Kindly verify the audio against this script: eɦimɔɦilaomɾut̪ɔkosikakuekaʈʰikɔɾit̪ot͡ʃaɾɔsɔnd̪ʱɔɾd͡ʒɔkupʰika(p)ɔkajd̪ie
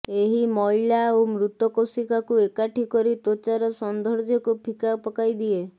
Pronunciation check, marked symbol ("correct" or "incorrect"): correct